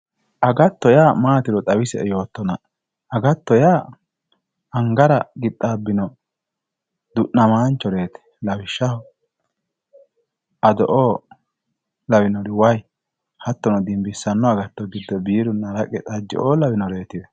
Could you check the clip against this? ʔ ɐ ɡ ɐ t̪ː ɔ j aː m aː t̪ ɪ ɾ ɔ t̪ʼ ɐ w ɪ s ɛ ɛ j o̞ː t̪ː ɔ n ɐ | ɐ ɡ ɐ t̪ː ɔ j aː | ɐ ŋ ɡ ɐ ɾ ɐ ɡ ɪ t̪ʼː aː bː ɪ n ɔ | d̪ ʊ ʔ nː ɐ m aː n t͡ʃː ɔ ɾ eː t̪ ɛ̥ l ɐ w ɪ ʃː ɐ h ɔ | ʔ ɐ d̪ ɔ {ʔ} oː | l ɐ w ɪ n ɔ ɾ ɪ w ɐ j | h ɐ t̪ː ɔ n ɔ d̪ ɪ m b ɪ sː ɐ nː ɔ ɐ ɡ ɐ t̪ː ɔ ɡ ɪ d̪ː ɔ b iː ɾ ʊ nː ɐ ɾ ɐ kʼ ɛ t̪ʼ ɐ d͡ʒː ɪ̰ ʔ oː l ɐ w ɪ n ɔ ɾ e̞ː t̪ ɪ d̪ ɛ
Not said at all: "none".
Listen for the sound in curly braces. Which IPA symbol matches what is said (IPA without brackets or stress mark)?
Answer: ʔ